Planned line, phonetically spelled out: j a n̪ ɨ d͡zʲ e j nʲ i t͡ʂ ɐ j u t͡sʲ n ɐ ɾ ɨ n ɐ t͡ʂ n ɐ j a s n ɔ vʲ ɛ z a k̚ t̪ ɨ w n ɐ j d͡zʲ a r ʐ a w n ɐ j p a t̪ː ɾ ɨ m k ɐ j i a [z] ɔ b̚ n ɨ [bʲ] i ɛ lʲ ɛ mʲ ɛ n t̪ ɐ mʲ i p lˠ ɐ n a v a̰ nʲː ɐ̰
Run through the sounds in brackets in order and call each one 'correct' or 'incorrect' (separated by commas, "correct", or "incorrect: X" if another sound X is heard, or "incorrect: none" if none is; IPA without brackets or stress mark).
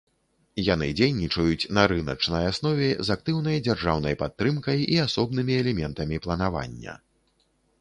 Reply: incorrect: s, incorrect: mʲ